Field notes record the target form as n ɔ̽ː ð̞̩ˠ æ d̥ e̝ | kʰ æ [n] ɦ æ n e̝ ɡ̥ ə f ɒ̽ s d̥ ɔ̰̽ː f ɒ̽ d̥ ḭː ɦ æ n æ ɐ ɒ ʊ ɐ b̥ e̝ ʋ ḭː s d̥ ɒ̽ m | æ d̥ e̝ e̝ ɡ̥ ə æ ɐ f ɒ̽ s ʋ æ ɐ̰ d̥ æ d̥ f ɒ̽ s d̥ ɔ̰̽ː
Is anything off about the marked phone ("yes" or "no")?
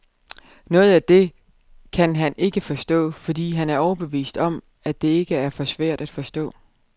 no